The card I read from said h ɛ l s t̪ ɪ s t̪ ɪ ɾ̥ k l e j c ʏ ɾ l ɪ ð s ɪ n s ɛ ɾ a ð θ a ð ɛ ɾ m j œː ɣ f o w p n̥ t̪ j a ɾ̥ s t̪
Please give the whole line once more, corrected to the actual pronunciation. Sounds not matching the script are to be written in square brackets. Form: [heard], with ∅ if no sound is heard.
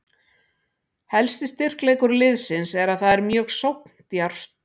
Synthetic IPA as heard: h ɛ l s t̪ ɪ s t̪ ɪ [r̥] k l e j [k] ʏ ɾ l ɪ ð s ɪ n s ɛ ɾ a ð θ a ð ɛ ɾ m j œː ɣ [s] o w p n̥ t̪ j a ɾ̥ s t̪